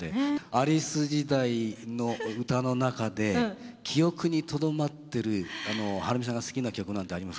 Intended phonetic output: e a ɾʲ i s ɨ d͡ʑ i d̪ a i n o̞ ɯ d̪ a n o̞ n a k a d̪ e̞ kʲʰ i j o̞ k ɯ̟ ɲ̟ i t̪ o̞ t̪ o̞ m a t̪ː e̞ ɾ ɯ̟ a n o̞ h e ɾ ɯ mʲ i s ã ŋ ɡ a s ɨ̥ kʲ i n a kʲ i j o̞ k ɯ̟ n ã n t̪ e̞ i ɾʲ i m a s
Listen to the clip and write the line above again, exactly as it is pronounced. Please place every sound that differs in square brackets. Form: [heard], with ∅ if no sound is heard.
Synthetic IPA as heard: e a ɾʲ i s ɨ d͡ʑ i d̪ a i n o̞ ɯ [t̪] a n o̞ n a k a d̪ e̞ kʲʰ i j o̞ k ɯ̟ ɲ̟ i t̪ o̞ [d̪] o̞ m a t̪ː e̞ ɾ ɯ̟ a n o̞ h [a] ɾ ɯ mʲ i s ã ŋ ɡ a s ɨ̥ kʲ i n a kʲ i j o̞ k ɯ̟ n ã n t̪ e̞ [a] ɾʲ i m a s

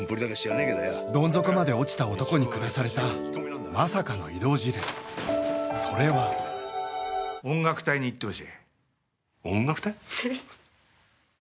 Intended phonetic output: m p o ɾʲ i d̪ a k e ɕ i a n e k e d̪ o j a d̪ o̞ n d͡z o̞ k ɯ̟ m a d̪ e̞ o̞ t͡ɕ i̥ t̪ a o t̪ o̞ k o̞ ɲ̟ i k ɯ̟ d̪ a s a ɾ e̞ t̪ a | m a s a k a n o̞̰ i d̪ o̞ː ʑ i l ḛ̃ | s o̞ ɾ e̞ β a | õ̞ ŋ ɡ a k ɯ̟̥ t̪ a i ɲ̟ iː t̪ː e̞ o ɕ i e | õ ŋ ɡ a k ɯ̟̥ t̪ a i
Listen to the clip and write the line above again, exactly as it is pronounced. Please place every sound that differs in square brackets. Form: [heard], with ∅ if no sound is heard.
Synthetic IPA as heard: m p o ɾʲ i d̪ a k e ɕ i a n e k e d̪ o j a d̪ [õ̞] n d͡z o̞ k ɯ̟ m a d̪ e̞ o̞ t͡ɕ i̥ t̪ a o t̪ o̞ k o̞ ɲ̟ i k ɯ̟ d̪ a s a ɾ e̞ t̪ a | m a s a k a n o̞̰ i d̪ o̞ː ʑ i [ɾ] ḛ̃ | s o̞ ɾ e̞ β a | õ̞ ŋ ɡ a k ɯ̟̥ t̪ a i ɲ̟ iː t̪ː e̞ o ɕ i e | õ ŋ ɡ a k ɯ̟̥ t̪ a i

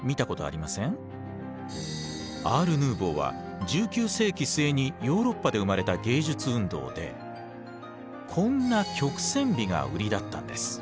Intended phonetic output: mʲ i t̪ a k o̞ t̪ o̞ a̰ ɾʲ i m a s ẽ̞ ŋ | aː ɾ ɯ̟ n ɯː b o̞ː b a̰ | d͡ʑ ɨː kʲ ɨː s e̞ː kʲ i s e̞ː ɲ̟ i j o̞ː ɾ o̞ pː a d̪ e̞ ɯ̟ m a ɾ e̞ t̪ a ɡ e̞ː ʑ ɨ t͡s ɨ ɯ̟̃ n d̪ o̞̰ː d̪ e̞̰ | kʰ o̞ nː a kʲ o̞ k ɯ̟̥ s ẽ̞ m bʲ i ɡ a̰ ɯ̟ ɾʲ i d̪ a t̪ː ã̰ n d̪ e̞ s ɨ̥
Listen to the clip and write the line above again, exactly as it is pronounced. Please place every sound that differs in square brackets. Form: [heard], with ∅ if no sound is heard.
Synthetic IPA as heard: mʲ i t̪ a k o̞ t̪ o̞ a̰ ɾʲ i m a s ẽ̞ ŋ | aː ɾ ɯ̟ n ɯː b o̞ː [β] a̰ | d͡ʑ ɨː kʲ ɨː s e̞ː kʲ i s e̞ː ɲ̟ i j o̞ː ɾ o̞ pː a d̪ e̞ ɯ̟ m a ɾ e̞ t̪ a ɡ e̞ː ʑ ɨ t͡s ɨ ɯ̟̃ n d̪ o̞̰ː d̪ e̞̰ | kʰ [õ̞] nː a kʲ o̞ k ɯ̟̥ s ẽ̞ m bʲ i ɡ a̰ ɯ̟ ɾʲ i d̪ a t̪ː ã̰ n d̪ e̞ s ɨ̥

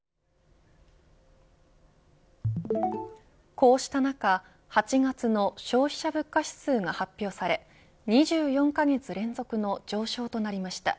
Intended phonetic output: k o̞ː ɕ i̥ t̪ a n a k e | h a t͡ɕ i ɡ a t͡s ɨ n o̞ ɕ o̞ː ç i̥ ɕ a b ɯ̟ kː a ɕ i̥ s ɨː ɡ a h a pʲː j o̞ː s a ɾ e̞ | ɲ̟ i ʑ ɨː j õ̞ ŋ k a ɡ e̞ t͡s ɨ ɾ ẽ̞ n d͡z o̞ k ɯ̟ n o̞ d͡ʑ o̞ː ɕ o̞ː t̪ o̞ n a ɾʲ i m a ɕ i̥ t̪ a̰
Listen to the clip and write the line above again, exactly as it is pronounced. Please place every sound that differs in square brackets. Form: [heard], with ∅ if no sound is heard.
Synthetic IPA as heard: k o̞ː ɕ i̥ t̪ a n a k [a] | h a t͡ɕ i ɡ a t͡s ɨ n o̞ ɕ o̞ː ç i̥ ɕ a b ɯ̟ kː a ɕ i̥ s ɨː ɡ a h a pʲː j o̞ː s a ɾ e̞ | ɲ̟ i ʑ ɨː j õ̞ ŋ k a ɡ e̞ t͡s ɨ ɾ ẽ̞ n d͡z o̞ k ɯ̟ n o̞ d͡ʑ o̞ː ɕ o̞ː t̪ o̞ n a ɾʲ i m a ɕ i̥ t̪ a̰

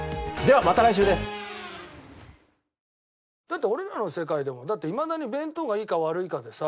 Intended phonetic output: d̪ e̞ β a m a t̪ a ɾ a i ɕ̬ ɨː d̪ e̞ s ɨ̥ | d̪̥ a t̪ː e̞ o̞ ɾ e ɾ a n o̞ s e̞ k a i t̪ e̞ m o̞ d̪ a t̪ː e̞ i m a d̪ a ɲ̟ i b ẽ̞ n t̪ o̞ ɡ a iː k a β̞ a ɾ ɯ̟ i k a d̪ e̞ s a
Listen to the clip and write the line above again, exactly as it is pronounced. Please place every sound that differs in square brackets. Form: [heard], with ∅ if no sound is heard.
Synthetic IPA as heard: d̪ e̞ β a m a t̪ a ɾ a i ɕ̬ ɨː d̪ e̞ s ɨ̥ | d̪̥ a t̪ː e̞ o̞ ɾ e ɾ a n o̞ s e̞ k a i [d̪] e̞ m o̞ d̪ a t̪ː e̞ i m a d̪ a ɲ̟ i b ẽ̞ n t̪ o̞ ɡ a iː k a β̞ a ɾ ɯ̟ i k a d̪ e̞ s a

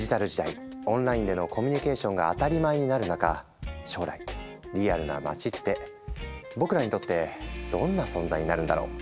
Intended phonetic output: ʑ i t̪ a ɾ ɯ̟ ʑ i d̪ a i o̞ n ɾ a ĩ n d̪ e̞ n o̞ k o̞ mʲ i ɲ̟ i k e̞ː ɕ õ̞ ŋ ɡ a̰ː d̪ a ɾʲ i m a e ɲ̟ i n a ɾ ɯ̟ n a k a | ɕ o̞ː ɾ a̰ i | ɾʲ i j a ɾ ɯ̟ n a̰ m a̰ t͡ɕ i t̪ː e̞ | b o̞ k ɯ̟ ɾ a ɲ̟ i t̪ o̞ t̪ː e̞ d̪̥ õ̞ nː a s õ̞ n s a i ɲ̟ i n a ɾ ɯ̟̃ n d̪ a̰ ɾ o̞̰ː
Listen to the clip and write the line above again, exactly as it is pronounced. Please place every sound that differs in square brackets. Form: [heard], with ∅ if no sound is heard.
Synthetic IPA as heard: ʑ i t̪ a ɾ ɯ̟ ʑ i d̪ a i [õ̞] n ɾ a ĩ n d̪ e̞ n o̞ k o̞ mʲ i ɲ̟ i k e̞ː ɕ õ̞ ŋ ɡ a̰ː [t̪] a ɾʲ i m a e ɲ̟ i n a ɾ ɯ̟ n a k a | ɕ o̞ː ɾ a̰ i | ɾʲ i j a ɾ ɯ̟ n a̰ m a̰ t͡ɕ i t̪ː e̞ | b o̞ k ɯ̟ ɾ a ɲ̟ i t̪ o̞ t̪ː e̞ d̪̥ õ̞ nː a s õ̞ n [z] a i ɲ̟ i n a ɾ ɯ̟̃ n d̪ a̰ ɾ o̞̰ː

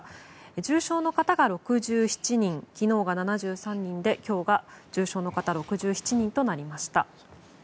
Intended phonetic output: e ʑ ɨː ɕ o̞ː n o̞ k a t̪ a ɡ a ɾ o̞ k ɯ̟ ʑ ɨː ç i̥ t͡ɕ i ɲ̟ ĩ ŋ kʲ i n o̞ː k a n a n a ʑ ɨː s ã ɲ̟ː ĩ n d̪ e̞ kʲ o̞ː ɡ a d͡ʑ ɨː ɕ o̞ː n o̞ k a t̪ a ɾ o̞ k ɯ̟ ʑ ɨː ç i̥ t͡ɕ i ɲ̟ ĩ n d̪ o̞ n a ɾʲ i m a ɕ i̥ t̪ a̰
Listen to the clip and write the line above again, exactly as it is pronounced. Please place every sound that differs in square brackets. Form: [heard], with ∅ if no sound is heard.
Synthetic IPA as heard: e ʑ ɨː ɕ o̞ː n o̞ k a t̪ a ɡ a ɾ o̞ k ɯ̟ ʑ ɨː ç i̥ t͡ɕ i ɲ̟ ĩ ŋ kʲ i n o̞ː [ɡ] a n a n a ʑ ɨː s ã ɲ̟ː ĩ n d̪ e̞ kʲ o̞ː ɡ a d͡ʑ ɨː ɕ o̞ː n o̞ k a t̪ a ɾ o̞ k ɯ̟ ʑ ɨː ç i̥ t͡ɕ i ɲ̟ ĩ n [t̪] o̞ n a ɾʲ i m a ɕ i̥ t̪ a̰

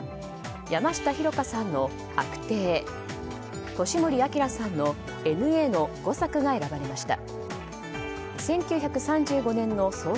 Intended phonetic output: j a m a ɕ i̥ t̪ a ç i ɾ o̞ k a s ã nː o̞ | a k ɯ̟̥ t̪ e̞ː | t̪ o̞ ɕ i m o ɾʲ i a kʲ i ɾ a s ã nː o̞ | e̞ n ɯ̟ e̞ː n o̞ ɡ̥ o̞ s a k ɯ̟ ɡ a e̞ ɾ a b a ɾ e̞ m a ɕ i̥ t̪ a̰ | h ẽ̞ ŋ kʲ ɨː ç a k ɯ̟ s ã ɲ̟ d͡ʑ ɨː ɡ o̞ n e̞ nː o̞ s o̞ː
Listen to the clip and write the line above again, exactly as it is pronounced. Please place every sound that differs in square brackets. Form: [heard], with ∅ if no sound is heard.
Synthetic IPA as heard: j a m a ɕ i̥ t̪ a ç i ɾ o̞ k a s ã nː o̞ | a k ɯ̟̥ t̪ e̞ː | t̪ o̞ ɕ i m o ɾʲ i a kʲ i ɾ a s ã nː o̞ | e̞ n ɯ̟ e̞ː n o̞ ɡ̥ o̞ s a k ɯ̟ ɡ a e̞ ɾ a b a ɾ e̞ m a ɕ i̥ t̪ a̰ | [s] ẽ̞ ŋ kʲ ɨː ç a k ɯ̟ s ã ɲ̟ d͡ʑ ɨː ɡ o̞ n [ẽ̞] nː o̞ s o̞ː

